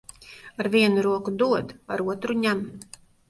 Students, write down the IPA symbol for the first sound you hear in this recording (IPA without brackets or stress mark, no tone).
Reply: a